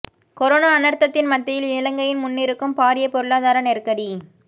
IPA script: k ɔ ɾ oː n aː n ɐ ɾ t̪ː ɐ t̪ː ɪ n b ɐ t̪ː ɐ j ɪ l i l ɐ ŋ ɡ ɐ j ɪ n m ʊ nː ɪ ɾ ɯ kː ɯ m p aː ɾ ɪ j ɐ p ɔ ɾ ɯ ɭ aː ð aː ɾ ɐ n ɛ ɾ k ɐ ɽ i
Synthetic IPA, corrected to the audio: k ɔ ɾ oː n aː n ɐ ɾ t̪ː ɐ t̪ː ɪ n m ɐ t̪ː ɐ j ɪ l ɪ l ɐ ŋ ɡ ɐ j ɪ n m ʊ nː ɪ ɾ ɯ kː ɯ m p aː ɾ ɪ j ɐ p ɔ ɾ ɯ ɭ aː ð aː ɾ ɐ n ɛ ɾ k ɐ ɽ i